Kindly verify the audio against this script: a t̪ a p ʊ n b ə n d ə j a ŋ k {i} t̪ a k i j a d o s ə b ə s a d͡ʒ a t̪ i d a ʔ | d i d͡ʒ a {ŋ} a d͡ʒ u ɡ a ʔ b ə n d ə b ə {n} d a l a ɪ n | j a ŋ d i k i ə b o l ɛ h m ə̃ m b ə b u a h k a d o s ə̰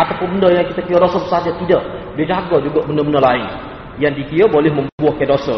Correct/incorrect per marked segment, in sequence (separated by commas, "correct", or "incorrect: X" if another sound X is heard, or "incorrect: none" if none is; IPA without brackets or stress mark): correct, incorrect: ɡ, correct